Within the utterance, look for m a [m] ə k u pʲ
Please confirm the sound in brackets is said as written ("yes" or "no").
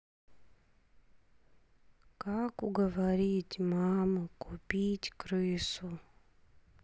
yes